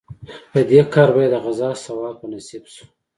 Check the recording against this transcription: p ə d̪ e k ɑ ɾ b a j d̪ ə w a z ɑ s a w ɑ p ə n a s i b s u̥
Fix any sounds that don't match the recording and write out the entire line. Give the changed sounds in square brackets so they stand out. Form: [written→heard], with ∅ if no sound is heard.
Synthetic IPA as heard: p ə d̪ e k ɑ ɾ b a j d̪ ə [w→ɣ] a z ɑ s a w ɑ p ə n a s i b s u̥